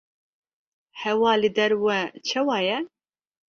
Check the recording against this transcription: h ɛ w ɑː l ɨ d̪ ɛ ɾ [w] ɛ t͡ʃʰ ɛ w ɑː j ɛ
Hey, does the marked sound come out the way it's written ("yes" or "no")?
yes